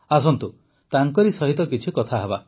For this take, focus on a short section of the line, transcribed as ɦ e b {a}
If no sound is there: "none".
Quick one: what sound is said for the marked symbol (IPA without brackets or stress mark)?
a